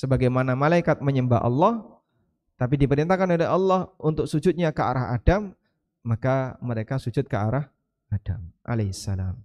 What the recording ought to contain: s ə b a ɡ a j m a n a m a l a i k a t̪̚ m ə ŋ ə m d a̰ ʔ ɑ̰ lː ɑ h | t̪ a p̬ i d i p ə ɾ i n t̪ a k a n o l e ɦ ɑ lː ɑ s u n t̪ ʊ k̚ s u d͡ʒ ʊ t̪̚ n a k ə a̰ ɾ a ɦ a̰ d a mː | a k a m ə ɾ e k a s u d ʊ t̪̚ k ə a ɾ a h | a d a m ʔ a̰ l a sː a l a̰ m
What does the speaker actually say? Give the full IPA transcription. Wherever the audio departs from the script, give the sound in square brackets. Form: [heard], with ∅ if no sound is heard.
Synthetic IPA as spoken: s ə b a ɡ a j m a n a m a l a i k a t̪̚ m ə [ɲ] ə m [b] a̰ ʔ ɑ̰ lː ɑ h | t̪ a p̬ i d i p ə ɾ i n t̪ a k a n o l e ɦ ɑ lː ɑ [h] u n t̪ ʊ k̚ s u d͡ʒ ʊ t̪̚ [ɲ] a k ə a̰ ɾ a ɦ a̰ d a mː | a k a m ə ɾ e k a s u [d͡ʒ] ʊ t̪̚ k ə a ɾ a h | a d a m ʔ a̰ l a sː a l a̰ m